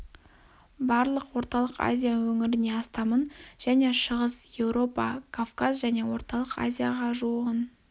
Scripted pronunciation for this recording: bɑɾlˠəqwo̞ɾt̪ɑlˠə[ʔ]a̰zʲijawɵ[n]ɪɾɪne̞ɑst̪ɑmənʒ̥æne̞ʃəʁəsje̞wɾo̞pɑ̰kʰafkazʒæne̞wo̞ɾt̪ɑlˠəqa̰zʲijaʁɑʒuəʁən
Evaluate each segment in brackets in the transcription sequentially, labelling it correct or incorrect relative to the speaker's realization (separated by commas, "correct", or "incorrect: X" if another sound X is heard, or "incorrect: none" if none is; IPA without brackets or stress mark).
incorrect: q, incorrect: ŋ